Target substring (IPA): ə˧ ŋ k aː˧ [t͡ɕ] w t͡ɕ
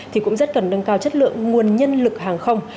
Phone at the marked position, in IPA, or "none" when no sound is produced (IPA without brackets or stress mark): none